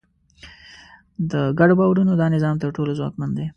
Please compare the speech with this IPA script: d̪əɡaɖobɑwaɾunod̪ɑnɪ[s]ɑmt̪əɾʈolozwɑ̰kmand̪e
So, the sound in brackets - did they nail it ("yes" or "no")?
no